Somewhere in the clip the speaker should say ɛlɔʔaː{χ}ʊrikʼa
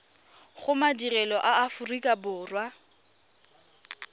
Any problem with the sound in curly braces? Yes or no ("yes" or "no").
yes